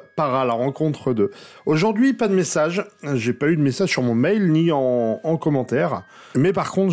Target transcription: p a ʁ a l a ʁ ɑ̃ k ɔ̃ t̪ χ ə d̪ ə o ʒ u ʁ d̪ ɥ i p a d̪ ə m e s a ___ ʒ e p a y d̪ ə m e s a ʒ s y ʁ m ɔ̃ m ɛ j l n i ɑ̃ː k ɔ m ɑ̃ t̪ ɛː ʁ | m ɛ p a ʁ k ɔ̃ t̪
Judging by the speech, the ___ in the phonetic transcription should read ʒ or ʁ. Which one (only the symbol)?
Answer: ʒ